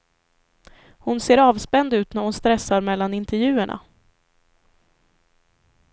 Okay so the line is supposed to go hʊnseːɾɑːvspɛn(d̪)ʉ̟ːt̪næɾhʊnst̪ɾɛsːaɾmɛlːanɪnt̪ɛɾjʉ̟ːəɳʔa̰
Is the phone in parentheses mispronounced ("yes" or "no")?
no